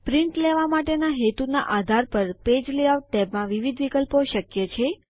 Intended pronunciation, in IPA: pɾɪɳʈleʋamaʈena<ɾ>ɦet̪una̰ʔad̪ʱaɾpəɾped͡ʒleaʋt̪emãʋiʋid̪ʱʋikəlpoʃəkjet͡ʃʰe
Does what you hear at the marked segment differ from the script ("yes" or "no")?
yes